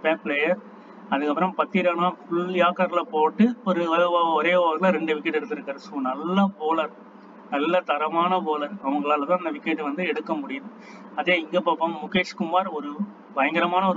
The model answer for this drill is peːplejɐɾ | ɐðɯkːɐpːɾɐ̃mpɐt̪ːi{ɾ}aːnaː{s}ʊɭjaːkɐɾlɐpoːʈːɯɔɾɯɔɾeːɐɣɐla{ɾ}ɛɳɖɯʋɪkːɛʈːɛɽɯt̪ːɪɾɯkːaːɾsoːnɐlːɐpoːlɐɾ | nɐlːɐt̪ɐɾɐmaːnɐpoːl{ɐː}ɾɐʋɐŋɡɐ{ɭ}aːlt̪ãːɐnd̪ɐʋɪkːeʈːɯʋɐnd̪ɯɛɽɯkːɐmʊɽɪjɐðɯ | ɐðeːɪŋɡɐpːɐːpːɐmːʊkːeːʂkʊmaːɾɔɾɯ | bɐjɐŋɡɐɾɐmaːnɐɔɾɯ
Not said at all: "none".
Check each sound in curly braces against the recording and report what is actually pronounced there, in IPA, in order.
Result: ɾ, f, ɾ, ɐ, ɭ

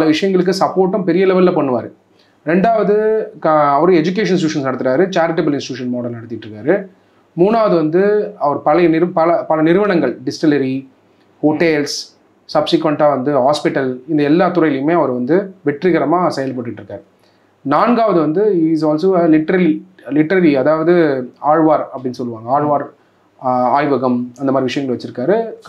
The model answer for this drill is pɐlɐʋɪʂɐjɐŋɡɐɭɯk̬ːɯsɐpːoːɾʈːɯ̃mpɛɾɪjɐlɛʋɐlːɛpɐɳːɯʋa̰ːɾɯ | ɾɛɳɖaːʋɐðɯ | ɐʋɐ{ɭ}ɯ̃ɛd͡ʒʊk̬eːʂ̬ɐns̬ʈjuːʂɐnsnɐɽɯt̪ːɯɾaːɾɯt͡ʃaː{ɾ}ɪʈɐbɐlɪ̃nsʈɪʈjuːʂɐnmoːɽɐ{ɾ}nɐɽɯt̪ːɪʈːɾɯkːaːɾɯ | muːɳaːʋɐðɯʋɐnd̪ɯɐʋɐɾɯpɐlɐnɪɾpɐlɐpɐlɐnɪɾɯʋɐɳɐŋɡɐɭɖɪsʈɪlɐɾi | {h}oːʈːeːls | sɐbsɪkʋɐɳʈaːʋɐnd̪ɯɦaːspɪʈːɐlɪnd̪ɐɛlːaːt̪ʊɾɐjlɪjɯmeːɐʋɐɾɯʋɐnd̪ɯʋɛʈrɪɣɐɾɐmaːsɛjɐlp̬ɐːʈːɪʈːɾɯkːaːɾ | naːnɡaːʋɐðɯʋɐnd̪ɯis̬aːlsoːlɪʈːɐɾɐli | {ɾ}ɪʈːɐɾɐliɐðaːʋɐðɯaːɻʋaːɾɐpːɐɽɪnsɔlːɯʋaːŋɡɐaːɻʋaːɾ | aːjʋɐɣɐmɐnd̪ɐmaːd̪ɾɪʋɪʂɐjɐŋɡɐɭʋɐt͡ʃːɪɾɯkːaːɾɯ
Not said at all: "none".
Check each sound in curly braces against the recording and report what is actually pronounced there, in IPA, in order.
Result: ɾ, ɾ, l, h, l

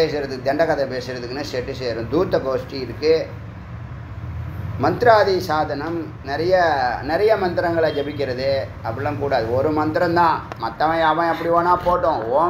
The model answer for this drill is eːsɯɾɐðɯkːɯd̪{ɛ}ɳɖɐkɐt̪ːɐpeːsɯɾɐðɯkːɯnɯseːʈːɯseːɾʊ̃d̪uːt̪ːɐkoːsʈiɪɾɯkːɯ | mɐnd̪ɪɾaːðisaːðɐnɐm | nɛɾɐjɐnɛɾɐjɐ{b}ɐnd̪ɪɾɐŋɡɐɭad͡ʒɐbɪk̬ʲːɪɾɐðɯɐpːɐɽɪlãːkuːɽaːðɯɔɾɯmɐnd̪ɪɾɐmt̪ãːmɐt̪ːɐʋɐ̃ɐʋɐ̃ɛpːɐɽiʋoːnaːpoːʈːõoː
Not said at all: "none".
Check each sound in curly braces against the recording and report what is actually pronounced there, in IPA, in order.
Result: ɛ, m

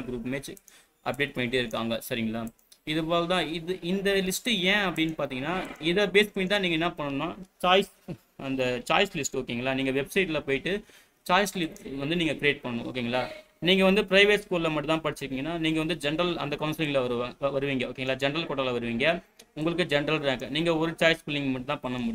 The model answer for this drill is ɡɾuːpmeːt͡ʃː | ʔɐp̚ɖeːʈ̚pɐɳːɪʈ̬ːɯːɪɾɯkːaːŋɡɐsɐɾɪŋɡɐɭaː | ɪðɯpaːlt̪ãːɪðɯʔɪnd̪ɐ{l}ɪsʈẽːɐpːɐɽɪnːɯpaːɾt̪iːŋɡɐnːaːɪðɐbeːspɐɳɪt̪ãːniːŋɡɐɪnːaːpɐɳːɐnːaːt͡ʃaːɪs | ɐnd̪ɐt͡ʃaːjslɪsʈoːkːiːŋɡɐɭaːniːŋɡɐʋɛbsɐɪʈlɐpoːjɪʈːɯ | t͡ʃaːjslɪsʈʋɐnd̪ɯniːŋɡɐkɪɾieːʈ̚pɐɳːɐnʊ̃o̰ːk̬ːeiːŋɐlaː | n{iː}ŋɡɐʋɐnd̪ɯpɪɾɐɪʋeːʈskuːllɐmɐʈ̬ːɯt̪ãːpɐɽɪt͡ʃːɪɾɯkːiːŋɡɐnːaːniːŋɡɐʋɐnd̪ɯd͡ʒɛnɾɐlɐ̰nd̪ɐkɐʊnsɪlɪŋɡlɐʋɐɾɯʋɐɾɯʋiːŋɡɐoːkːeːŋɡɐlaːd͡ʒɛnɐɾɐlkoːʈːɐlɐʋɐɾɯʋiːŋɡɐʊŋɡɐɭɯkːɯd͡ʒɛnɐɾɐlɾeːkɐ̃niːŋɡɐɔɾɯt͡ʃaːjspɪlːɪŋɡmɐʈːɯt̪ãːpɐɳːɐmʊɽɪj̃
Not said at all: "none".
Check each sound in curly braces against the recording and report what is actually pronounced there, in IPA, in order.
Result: l, iː

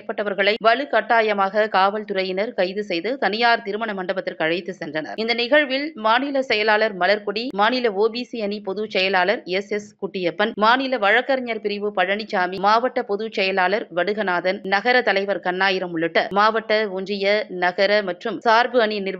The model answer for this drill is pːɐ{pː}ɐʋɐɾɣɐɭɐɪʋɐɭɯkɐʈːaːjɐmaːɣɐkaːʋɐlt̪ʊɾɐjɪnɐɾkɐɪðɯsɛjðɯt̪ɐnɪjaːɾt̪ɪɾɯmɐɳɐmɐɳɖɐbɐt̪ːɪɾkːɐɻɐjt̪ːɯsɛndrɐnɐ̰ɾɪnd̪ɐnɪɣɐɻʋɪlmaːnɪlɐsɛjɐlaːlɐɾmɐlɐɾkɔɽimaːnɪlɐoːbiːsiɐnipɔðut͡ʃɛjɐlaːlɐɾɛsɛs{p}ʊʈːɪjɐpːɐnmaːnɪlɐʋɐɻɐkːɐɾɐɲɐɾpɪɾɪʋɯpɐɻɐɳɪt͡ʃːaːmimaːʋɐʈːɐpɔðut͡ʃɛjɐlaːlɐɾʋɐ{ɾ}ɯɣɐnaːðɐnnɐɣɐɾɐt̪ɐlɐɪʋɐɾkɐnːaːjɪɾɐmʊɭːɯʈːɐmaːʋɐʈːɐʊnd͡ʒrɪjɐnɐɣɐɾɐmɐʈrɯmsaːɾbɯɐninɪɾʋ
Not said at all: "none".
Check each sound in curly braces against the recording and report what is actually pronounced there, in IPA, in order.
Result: ʈː, k, ɽ

